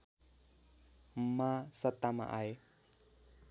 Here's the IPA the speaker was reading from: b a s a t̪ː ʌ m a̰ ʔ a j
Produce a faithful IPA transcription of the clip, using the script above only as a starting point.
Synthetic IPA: m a s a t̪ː a m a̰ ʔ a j